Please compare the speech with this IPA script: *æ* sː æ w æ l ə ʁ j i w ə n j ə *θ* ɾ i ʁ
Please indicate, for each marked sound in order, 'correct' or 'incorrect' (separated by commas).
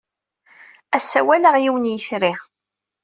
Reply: correct, correct